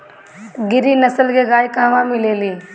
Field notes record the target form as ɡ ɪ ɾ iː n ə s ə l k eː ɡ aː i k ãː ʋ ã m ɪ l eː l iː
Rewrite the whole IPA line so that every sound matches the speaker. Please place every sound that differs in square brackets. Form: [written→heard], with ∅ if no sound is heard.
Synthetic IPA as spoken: ɡ ɪ ɾ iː n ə s ə l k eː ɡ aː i k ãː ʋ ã m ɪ l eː l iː